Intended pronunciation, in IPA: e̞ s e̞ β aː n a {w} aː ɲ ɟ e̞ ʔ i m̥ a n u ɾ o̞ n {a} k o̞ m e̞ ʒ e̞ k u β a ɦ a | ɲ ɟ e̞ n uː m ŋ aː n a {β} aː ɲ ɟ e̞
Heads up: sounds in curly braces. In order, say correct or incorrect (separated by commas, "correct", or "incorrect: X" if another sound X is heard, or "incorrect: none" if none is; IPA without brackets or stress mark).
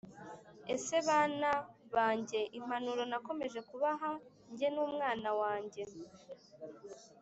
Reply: incorrect: β, correct, incorrect: w